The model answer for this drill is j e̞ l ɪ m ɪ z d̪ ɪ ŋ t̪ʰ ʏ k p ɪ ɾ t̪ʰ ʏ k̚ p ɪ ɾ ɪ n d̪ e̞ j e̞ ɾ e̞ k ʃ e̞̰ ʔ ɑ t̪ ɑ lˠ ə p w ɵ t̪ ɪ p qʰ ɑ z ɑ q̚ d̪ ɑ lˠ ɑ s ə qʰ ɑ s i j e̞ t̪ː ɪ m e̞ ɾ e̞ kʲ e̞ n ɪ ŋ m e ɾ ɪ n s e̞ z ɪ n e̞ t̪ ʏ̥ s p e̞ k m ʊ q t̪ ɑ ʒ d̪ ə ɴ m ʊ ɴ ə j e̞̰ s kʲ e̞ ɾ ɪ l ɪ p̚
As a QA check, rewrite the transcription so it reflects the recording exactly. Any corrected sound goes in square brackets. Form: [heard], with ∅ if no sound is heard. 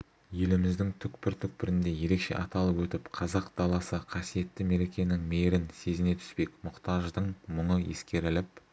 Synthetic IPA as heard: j e̞ l ɪ m ɪ z d̪ ɪ ŋ t̪ʰ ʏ k p ɪ ɾ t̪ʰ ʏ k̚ p ɪ ɾ ɪ n d̪ e̞ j e̞ ɾ e̞ k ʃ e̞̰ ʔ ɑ t̪ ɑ lˠ ə p w ɵ t̪ ɪ p qʰ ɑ z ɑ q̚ d̪ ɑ lˠ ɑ s ə qʰ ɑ s i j e̞ t̪ː ɪ m e̞ ɾ e̞ kʲ e̞ n ɪ ŋ m e ɾ ɪ n s e̞ z ɪ n e̞ [t̪ʰ] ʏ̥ s p e̞ k m ʊ q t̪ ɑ ʒ d̪ ə ɴ m ʊ ɴ ə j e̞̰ s kʲ e̞ ɾ ɪ l ɪ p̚